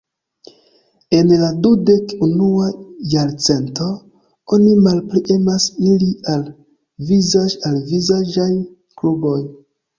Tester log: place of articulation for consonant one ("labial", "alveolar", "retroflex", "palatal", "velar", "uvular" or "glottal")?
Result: alveolar